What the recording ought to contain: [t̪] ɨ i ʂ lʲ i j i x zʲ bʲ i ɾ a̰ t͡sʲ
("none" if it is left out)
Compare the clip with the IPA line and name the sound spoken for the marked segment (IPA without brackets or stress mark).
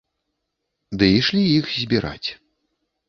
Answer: d̪